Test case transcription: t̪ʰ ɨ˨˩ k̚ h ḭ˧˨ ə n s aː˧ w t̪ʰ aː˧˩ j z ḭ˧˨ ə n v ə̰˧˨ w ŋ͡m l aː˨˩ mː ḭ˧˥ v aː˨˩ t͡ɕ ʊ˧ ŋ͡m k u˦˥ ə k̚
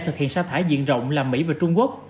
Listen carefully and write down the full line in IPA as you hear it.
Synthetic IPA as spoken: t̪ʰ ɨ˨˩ k̚ h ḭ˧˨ ə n s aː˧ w t̪ʰ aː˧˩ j z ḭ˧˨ ə n z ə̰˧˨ w ŋ͡m l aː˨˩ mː ḭ˧˥ v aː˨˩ t͡ɕ ʊ˧ ŋ͡m k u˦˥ ə k̚

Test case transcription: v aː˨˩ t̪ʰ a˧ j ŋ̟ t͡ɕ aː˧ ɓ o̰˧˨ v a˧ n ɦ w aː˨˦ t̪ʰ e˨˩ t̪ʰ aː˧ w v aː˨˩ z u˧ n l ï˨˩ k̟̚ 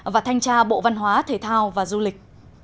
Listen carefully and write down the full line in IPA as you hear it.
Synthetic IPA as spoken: v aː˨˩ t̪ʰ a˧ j ŋ̟ t͡ɕ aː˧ ɓ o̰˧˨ v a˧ n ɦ w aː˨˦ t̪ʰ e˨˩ t̪ʰ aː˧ w v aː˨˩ z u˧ l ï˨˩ k̟̚

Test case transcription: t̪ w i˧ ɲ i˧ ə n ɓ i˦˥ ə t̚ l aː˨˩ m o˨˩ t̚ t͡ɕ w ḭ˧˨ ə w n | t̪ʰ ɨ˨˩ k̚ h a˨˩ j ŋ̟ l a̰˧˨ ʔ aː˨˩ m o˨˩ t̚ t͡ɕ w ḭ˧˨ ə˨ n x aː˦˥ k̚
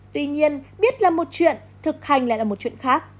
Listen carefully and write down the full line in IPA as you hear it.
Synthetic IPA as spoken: t̪ w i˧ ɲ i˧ ə n ɓ i˦˥ ə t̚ l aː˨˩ m o˨˩ t̚ t͡ɕ w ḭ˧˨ ə n | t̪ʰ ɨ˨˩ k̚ h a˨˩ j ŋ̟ l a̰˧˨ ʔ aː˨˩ m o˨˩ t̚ t͡ɕ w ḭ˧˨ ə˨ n x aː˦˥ k̚

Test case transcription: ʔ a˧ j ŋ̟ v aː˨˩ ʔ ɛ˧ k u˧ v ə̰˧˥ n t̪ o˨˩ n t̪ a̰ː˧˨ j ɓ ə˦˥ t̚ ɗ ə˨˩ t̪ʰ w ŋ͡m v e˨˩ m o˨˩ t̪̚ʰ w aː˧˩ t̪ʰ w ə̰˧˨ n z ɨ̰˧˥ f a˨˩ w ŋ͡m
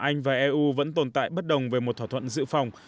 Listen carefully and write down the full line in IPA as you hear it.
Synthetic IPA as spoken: ʔ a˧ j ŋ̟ v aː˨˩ ʔ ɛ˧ ʔ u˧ v ə̰˧˥ n t̪ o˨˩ n t̪ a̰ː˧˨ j ɓ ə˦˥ t̚ ɗ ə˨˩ w ŋ͡m v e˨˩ m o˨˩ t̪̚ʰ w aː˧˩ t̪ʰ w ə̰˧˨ n z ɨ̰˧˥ f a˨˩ w ŋ͡m

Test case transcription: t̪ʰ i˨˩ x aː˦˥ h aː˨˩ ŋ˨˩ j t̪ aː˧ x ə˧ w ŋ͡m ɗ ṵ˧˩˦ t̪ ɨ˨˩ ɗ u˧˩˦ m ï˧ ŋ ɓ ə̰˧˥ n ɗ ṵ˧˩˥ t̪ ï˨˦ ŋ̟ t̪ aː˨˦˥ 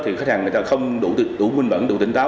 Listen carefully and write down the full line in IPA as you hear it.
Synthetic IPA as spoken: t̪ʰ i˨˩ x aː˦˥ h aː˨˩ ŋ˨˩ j t̪ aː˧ x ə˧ w ŋ͡m ɗ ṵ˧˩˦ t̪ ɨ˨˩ ɗ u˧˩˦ m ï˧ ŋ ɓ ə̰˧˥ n ɗ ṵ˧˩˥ t̪ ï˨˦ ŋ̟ t̪ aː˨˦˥

